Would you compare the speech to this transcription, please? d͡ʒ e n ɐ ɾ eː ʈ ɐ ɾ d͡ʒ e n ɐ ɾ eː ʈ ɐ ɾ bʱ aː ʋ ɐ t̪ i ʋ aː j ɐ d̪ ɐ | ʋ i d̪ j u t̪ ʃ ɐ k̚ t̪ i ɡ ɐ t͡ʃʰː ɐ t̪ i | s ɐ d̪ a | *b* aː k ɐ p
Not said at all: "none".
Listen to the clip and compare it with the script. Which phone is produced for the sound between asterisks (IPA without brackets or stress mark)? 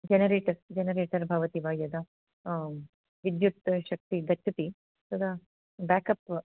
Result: b